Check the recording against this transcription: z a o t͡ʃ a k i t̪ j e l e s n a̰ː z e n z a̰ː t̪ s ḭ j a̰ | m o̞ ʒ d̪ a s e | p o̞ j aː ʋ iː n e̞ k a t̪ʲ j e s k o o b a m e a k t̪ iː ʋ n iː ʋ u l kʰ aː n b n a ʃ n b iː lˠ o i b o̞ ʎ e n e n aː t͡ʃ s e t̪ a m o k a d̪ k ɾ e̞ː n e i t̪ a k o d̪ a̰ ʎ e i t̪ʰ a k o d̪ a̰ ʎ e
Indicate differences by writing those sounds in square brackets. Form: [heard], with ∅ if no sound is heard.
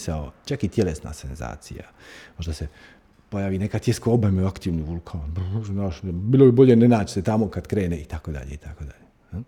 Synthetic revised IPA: [s] a o t͡ʃ a k i t̪ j e l e s n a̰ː [s] e n z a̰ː t̪ s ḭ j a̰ | m o̞ ʒ d̪ a s e | p o̞ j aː ʋ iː n e̞ k a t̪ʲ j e s k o o b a m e a k t̪ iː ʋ n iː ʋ u l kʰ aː n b n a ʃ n b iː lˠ o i b o̞ ʎ e n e n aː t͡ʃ s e t̪ a m o k a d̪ k ɾ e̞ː n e i t̪ a k o d̪ a̰ ʎ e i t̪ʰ a k o d̪ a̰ ʎ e